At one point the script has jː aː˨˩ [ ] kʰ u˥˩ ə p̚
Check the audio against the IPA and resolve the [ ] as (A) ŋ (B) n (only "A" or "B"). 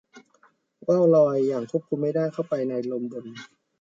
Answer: A